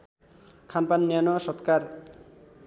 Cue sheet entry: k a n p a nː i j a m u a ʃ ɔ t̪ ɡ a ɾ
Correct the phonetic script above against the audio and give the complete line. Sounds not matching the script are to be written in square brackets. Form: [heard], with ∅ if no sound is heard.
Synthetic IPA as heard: [kʰ] a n p a nː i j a [n] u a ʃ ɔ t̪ [k] a ɾ